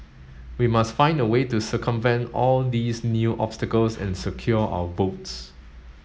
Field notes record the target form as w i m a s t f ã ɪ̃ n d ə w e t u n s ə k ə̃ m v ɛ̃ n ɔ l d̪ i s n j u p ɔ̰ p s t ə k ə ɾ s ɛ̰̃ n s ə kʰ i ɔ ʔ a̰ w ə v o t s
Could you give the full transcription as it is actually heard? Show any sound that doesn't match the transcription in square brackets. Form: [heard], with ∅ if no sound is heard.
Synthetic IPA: w i m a s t f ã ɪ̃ n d ə w e t u [∅] s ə k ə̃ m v ɛ̃ n ɔ l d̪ i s n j u [ʔ] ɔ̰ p s t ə k ə [l] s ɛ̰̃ n s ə kʰ [j] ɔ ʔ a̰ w ə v o t s